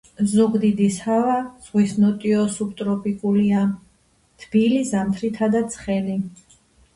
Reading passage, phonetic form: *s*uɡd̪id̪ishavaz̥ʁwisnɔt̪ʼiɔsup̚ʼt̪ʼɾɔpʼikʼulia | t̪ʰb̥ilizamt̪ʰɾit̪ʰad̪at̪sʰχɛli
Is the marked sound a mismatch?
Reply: yes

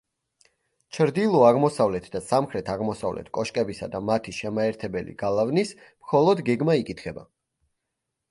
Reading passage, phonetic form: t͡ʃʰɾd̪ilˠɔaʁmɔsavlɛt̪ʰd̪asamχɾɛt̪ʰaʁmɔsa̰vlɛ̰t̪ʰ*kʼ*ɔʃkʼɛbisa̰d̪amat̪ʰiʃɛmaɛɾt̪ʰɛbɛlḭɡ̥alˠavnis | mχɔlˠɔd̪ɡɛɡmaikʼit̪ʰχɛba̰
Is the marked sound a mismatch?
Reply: no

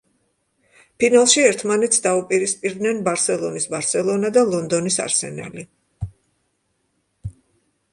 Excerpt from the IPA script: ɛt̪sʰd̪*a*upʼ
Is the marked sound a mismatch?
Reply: no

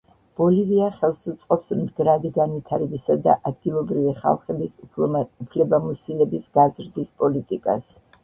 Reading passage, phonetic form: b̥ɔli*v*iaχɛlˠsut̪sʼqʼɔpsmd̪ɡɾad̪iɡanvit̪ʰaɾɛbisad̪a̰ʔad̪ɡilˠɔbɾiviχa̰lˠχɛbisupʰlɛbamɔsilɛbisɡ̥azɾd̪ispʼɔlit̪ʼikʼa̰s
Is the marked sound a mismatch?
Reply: no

